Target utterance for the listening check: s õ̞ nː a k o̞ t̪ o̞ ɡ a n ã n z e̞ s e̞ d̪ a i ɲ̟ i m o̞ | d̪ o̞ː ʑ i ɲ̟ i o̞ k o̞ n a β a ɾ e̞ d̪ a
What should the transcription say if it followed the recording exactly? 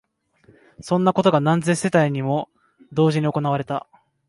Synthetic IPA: s õ̞ nː a k o̞ t̪ o̞ ɡ a n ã n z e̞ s e̞ t̪ a i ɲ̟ i m o̞ | d̪ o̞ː ʑ i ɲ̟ i o̞ k o̞ n a β a ɾ e̞ t̪ a